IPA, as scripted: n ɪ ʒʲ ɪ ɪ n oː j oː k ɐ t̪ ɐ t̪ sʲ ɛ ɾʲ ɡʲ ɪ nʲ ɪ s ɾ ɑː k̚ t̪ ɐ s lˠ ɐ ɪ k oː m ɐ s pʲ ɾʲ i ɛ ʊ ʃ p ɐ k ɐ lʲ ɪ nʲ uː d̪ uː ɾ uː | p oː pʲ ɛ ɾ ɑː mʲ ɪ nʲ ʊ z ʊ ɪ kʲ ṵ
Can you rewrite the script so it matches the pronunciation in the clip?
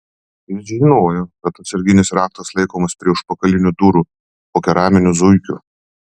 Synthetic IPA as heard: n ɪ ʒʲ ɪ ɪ n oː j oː k ɐ t̪ ɐ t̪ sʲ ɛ ɾʲ ɡʲ ɪ nʲ ɪ s ɾ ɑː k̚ t̪ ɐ s lˠ ɐ ɪ k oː m ɐ s pʲ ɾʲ i ɛ ʊ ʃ p ɐ k ɐ lʲ ɪ nʲ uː d̪ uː ɾ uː | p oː kʲ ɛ ɾ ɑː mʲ ɪ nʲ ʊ z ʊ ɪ kʲ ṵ